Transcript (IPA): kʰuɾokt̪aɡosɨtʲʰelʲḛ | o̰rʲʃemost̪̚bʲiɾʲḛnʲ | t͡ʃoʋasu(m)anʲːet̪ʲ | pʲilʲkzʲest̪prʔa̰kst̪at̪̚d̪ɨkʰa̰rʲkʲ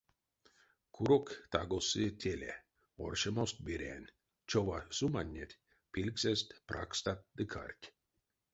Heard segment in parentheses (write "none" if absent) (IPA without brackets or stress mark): m